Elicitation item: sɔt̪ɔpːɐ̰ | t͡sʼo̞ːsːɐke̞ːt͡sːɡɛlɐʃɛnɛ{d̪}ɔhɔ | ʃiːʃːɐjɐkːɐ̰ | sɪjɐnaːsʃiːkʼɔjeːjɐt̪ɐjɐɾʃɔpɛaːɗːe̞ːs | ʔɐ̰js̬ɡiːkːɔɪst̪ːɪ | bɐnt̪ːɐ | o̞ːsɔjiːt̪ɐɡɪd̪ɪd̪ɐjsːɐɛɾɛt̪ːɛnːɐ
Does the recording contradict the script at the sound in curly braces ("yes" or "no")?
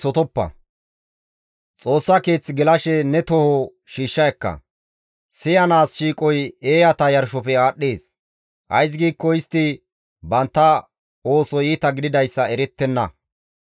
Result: yes